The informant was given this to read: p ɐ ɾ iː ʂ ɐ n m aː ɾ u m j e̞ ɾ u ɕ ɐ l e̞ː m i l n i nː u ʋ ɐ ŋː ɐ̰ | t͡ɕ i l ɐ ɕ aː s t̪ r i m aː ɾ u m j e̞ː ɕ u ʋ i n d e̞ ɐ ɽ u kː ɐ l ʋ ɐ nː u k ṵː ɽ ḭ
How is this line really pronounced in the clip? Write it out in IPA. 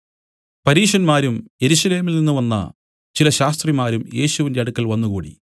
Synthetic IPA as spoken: p ɐ ɾ iː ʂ ɐ n m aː ɾ u m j e̞ ɾ u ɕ ɐ l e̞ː m i l n i nː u ʋ ɐ nː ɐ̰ | t͡ɕ i l ɐ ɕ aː s t̪ r i m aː ɾ u m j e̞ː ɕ u ʋ i n d e̞ ɐ ɽ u kː ɐ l ʋ ɐ nː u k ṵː ɽ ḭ